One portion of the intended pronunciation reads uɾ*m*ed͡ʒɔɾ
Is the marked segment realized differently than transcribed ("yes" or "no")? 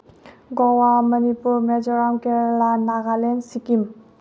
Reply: no